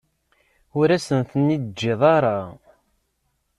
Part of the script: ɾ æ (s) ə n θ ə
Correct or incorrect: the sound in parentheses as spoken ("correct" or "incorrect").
correct